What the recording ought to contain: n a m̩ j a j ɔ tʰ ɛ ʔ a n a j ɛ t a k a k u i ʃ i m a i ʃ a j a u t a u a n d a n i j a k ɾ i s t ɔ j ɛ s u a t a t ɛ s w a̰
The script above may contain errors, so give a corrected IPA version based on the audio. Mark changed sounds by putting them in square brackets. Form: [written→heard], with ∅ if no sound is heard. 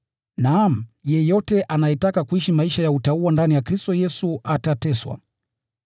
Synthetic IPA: n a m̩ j [a→ɛ] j ɔ [tʰ→t] ɛ ʔ a n a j ɛ t a k a k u i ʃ i m a i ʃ a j a u t a u a n d a n i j a k ɾ i s t ɔ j ɛ s u a t a t ɛ s w a̰